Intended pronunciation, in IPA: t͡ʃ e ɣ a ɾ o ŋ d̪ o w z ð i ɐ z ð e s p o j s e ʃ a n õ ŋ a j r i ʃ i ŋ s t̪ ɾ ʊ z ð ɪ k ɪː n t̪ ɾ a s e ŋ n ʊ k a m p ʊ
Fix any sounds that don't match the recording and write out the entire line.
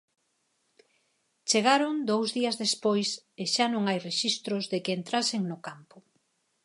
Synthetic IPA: t͡ʃ e ɣ a ɾ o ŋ d̪ o w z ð i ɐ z ð e s p o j s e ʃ a n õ ŋ a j r e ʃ i s t̪ ɾ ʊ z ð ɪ k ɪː n t̪ ɾ a s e ŋ n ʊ k a m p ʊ